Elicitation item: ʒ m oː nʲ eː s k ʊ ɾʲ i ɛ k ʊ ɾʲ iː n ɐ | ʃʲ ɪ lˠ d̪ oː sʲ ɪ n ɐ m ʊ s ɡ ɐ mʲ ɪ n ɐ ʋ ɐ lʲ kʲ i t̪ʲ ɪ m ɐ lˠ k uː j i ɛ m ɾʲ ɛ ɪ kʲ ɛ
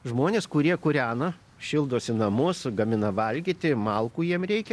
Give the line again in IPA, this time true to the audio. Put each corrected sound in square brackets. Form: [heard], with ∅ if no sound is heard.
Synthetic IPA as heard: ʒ m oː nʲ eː s k ʊ ɾʲ i ɛ k ʊ ɾʲ [æː] n ɐ | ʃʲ ɪ lˠ d̪ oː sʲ ɪ n ɐ m ʊ s ɡ ɐ mʲ ɪ n ɐ ʋ ɐ lʲ [ɡʲ] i t̪ʲ ɪ m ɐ lˠ k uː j i ɛ m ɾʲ ɛ ɪ kʲ ɛ